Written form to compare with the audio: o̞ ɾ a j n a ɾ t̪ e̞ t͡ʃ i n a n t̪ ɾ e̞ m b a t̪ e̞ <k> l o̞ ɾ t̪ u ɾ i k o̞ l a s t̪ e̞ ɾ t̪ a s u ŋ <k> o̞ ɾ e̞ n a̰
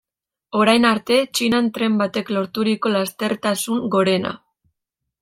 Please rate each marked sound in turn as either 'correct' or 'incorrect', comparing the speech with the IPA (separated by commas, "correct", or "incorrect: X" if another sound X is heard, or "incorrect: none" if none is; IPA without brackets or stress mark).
correct, incorrect: ɡ